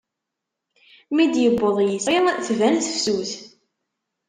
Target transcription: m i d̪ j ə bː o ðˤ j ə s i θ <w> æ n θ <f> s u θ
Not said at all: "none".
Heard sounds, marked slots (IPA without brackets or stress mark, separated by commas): v, f